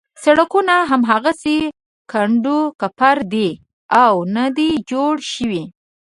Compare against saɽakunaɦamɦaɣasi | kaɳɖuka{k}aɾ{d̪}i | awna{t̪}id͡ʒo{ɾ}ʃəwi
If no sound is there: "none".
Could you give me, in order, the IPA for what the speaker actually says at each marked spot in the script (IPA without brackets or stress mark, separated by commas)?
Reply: p, d̪, d̪, ɽ